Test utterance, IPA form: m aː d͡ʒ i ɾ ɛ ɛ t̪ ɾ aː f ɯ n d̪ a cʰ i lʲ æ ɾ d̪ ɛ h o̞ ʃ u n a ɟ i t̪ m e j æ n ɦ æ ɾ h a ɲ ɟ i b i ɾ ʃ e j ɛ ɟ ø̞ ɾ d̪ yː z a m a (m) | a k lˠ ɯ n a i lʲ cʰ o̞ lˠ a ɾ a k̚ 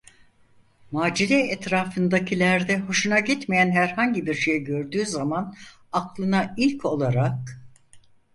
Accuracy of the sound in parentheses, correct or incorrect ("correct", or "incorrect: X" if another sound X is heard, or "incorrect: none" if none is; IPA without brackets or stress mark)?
incorrect: n